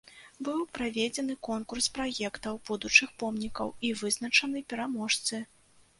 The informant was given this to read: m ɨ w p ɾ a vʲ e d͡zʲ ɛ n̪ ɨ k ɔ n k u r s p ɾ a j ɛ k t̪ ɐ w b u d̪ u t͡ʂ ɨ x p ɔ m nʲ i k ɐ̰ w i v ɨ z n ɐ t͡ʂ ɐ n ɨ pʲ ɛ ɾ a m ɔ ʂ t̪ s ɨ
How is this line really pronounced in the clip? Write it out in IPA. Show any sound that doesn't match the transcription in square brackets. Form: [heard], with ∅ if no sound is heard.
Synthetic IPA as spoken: [b] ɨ w p ɾ a vʲ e d͡zʲ ɛ n̪ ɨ k ɔ n k u r s p ɾ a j ɛ k t̪ ɐ w b u d̪ u t͡ʂ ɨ x p ɔ m nʲ i k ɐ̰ w i v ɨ z n ɐ t͡ʂ ɐ n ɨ pʲ ɛ ɾ a m ɔ ʂ t̪ s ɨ